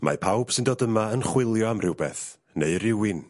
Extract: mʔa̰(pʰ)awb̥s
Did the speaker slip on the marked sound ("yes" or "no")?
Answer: no